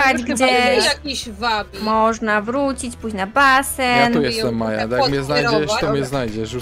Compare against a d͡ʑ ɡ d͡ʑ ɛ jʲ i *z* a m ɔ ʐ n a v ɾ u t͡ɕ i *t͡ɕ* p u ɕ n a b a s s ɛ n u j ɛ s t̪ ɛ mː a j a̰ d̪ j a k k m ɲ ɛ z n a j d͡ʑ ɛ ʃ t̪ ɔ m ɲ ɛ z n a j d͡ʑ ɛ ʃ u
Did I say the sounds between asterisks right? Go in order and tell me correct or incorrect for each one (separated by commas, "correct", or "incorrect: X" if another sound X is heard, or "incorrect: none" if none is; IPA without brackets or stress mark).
incorrect: v, correct